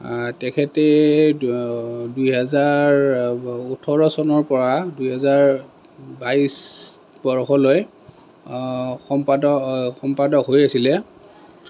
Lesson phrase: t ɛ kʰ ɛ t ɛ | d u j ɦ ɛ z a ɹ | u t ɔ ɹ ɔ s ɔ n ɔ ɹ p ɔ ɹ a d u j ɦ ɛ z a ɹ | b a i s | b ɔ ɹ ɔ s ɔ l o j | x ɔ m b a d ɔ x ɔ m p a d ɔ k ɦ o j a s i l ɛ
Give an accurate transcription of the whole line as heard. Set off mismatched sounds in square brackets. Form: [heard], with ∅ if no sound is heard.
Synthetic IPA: t ɛ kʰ ɛ t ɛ | d u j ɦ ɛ z a ɹ | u [tʰ] ɔ ɹ ɔ s ɔ n ɔ ɹ p ɔ ɹ a d u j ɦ ɛ z a ɹ | b a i s | b ɔ ɹ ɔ [x] ɔ l o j | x ɔ m [p] a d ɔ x ɔ m p a d ɔ k ɦ o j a s i l ɛ

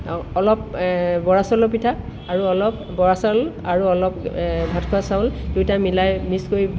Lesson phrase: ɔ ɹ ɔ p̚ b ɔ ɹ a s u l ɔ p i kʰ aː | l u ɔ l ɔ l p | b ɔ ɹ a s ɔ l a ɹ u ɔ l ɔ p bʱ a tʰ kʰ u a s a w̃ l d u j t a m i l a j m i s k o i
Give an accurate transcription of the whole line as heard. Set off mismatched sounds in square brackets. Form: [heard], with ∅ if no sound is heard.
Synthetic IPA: ɔ [l] ɔ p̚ b ɔ ɹ a s [ɔ] l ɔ p i [tʰ] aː | [ɹ] u ɔ l ɔ [∅] p | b ɔ ɹ a s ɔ l a ɹ u ɔ l ɔ p bʱ a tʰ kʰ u a s a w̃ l d u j t a m i l a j m i s k o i

